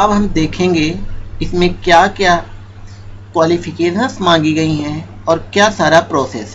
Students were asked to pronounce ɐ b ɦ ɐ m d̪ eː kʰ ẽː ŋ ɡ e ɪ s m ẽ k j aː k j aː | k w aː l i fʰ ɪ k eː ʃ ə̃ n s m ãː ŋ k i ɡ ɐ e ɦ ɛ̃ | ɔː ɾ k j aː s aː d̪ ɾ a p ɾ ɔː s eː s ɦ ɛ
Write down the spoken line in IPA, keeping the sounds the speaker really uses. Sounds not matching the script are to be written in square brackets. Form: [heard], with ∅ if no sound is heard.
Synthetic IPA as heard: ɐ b ɦ ɐ m d̪ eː kʰ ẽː ŋ ɡ e ɪ s m ẽ k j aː k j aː | k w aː l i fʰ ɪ k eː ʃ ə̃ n s m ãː ŋ [ɡ] i ɡ ɐ [i] ɦ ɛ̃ | ɔː ɾ k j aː s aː [∅] ɾ a p ɾ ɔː s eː s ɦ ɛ

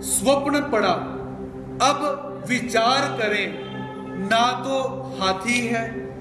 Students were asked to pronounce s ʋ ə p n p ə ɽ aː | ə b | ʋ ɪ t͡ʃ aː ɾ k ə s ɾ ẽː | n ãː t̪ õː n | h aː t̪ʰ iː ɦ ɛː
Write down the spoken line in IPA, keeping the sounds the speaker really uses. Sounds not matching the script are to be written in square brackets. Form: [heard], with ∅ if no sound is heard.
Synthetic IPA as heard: s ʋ ə p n p ə ɽ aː | ə b | ʋ ɪ t͡ʃ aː ɾ k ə [∅] ɾ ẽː | n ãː t̪ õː [∅] | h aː t̪ʰ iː ɦ ɛː

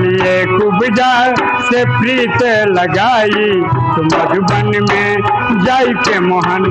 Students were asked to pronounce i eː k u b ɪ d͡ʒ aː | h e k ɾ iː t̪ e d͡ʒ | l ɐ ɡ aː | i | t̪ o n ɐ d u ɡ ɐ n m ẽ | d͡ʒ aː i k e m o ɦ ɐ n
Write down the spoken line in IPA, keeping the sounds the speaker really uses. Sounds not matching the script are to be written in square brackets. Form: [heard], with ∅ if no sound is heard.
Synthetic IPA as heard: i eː k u b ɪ d͡ʒ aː | [s] e [p] ɾ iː t̪ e [∅] | l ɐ ɡ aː | i | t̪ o [m] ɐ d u [b] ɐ n m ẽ | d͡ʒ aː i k e m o ɦ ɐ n

